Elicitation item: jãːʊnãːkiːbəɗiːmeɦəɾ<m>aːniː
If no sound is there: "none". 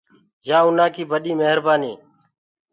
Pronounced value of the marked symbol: b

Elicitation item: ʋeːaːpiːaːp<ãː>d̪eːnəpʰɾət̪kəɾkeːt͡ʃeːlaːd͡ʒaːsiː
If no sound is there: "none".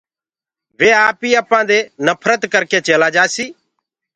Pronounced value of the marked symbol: ãː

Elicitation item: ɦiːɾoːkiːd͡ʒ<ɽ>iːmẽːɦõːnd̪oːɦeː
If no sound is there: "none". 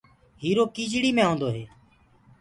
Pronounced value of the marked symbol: ɽ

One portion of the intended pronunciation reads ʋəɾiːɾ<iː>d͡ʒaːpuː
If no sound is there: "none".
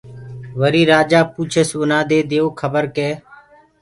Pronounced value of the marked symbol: aː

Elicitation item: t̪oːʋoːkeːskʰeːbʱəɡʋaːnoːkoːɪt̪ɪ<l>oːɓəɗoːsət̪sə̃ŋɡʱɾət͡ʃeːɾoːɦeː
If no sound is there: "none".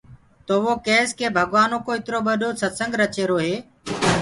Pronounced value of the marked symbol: ɾ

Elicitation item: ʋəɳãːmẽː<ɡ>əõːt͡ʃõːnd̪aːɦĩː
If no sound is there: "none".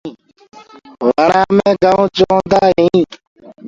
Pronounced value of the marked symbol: ɡ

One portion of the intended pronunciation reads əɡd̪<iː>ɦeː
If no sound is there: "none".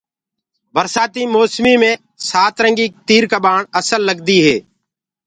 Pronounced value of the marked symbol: iː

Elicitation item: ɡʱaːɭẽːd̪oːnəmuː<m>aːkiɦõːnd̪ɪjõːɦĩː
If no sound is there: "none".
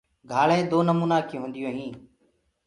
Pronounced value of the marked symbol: n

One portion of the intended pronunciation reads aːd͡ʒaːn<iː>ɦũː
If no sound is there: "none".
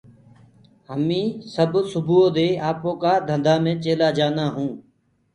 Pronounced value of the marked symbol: aː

